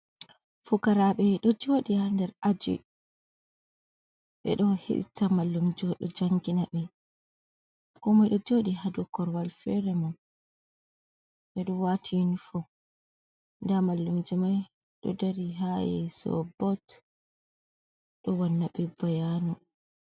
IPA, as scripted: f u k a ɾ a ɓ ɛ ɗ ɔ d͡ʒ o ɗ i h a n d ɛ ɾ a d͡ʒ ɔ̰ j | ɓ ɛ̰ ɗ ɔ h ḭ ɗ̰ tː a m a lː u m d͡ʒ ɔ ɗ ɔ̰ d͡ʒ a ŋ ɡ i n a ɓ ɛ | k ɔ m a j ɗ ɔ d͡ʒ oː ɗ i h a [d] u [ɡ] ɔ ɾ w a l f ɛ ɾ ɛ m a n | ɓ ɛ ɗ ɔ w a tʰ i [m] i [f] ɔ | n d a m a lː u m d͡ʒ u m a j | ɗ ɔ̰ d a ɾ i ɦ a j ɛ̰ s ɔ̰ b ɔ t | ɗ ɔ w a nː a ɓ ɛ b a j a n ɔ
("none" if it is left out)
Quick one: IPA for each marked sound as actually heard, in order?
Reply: d, k, n, f

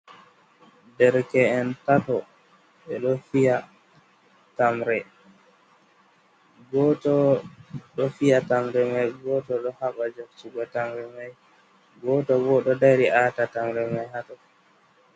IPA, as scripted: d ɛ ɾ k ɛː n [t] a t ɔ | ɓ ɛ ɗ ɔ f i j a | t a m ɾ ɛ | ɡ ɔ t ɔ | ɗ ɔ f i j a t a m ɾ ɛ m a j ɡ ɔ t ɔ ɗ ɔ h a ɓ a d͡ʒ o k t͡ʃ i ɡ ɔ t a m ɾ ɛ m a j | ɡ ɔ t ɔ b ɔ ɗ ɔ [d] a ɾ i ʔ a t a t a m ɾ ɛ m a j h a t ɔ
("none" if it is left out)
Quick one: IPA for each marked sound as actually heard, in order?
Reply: t, d

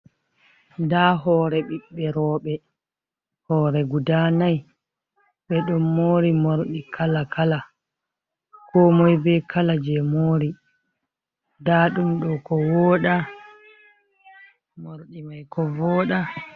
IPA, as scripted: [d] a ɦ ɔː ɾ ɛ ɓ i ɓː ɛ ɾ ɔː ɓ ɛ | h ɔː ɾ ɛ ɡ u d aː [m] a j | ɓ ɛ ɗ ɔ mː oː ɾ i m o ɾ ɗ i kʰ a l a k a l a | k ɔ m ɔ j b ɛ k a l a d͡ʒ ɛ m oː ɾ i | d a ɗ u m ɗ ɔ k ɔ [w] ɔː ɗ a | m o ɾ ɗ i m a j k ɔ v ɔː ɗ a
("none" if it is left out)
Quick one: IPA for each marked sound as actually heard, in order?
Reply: d, n, w

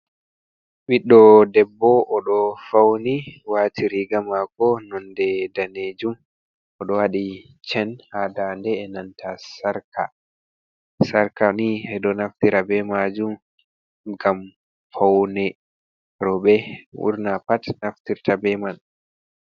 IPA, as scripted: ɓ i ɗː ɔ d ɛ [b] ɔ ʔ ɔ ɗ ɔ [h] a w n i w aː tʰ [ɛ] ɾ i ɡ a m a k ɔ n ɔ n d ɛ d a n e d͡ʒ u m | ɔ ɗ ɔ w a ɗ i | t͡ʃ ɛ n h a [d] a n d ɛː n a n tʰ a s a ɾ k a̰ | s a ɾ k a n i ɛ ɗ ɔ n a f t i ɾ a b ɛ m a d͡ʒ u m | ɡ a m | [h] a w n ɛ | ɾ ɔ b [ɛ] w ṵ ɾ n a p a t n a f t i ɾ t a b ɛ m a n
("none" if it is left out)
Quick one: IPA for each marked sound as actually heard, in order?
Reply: bː, f, i, d, f, ɛ

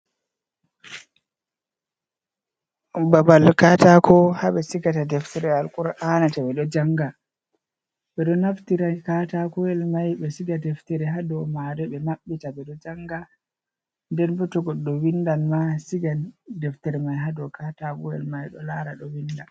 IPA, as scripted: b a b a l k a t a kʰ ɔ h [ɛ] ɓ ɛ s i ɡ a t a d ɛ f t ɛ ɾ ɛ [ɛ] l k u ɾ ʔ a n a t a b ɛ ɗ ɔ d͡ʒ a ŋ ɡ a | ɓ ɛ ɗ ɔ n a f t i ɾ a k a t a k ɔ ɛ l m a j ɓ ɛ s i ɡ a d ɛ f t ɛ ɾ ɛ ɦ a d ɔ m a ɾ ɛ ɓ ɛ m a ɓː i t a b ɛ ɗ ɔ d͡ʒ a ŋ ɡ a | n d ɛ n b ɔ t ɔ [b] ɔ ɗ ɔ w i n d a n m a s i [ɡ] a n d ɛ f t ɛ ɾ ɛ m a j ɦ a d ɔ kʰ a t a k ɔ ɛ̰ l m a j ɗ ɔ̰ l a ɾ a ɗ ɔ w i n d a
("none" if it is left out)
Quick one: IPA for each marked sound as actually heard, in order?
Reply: a, a, ɡ, ɡ

